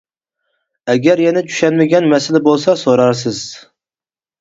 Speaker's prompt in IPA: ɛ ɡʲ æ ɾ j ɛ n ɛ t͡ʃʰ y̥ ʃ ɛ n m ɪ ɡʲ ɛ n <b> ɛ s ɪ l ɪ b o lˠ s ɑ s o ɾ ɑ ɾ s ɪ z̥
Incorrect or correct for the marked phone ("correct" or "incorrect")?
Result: incorrect